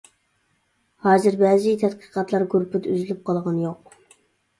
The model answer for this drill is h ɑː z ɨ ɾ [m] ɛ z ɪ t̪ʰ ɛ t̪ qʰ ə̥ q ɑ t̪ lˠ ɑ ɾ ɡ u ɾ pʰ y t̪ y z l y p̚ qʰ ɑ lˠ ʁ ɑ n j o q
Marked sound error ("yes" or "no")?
yes